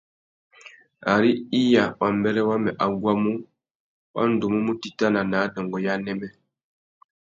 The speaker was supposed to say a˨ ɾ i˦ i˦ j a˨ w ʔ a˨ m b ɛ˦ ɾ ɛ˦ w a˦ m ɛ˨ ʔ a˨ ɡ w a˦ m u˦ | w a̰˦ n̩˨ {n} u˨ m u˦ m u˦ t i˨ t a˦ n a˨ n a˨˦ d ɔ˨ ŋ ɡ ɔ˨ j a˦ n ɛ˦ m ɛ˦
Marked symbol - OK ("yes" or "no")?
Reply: no